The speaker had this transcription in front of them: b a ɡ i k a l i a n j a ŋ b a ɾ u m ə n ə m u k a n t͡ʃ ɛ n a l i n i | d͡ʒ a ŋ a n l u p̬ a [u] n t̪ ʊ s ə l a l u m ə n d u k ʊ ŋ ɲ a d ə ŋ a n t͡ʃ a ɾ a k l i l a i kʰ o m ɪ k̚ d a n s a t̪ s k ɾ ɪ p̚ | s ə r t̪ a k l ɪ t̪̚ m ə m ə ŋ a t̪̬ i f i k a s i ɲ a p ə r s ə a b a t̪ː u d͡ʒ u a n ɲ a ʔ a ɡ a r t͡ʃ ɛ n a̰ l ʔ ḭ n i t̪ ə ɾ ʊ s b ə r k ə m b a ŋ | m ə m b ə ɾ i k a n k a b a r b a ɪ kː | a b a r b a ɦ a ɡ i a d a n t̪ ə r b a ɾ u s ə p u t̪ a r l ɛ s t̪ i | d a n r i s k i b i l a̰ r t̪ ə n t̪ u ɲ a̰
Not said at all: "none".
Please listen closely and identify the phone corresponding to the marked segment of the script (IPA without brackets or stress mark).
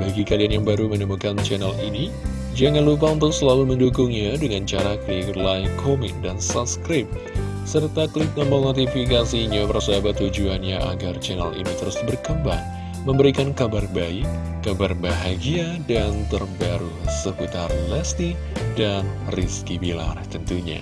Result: u